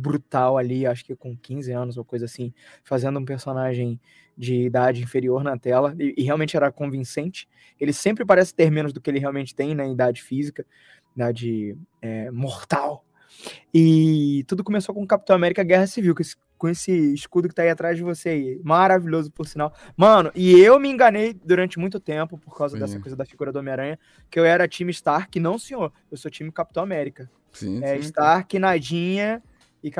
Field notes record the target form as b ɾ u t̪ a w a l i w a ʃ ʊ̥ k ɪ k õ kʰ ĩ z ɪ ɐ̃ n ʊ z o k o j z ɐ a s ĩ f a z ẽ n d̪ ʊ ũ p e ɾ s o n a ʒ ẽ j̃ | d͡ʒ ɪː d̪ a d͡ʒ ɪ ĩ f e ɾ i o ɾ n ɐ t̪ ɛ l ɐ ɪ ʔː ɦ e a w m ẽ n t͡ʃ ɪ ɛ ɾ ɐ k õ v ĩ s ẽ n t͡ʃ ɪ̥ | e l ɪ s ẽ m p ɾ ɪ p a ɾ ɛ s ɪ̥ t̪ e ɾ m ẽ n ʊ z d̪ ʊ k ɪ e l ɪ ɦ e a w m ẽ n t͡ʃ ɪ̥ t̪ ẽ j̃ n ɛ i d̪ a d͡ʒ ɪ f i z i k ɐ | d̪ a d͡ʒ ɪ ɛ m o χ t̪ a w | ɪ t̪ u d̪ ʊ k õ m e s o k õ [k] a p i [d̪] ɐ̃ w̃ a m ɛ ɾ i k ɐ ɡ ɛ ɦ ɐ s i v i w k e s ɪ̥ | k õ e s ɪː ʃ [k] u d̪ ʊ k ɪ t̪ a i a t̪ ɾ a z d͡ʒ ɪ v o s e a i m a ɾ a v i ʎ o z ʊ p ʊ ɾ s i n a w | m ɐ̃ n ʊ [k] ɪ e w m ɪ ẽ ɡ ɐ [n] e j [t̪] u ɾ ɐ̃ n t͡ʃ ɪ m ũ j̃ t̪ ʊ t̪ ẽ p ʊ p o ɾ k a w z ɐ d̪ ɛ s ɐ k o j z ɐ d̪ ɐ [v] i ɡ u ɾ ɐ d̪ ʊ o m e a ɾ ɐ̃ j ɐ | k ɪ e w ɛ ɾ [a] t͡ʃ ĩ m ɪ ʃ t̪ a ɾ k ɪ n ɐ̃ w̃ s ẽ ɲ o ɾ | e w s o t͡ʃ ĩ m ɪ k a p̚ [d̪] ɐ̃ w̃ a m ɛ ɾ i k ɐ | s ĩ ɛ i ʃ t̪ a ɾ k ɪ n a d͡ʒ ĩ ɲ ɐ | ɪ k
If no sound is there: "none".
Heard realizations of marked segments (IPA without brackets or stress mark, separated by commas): k, t̪, k, ʔ, n, d̪, f, ɐ, t̪